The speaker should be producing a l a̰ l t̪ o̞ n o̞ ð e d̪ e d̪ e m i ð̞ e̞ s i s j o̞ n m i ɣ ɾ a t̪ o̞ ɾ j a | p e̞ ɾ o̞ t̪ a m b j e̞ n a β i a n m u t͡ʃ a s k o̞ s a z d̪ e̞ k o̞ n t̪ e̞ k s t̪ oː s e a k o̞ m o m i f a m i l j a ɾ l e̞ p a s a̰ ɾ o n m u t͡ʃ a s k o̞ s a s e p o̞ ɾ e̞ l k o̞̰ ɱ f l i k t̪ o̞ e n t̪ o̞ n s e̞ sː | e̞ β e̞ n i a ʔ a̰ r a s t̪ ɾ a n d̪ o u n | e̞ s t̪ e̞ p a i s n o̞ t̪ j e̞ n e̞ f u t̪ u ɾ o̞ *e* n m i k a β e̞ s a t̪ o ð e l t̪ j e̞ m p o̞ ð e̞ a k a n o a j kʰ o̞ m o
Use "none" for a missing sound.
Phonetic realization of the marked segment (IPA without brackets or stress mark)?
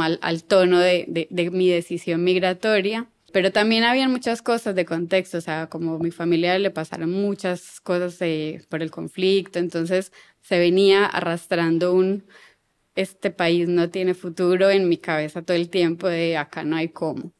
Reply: e